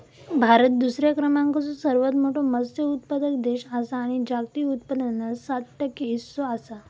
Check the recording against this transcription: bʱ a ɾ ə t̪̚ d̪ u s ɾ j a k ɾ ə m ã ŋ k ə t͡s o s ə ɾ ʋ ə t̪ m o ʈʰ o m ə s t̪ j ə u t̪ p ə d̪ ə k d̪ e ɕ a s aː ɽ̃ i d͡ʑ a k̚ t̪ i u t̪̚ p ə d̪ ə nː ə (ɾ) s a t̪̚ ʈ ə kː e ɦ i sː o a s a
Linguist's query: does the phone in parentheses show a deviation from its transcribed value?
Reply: yes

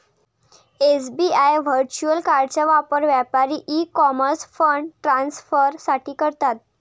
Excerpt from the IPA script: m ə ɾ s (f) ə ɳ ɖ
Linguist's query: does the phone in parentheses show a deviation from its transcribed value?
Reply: no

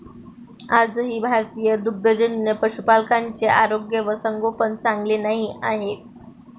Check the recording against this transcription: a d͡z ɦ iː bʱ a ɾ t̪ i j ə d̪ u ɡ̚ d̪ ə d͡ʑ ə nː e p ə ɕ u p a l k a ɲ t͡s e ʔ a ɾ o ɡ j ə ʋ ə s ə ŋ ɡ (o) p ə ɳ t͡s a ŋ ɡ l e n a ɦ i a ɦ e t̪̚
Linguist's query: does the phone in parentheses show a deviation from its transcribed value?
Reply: no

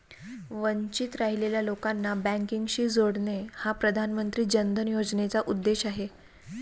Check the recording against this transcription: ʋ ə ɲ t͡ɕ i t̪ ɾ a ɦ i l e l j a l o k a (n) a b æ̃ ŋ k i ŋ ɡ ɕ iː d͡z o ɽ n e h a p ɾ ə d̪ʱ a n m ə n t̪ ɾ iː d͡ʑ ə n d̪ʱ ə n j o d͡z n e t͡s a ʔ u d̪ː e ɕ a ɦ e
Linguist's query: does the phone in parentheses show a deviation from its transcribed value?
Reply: yes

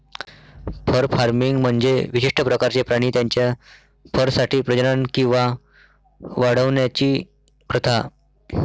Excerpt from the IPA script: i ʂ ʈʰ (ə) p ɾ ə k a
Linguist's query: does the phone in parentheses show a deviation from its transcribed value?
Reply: no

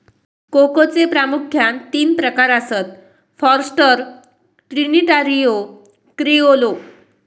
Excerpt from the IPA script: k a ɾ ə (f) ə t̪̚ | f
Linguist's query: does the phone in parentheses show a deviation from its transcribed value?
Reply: yes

